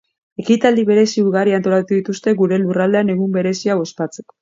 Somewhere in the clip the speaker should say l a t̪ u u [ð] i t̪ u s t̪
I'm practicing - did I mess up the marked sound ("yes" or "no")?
no